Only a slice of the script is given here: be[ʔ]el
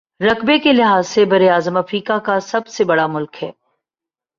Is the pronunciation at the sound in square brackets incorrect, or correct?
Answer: incorrect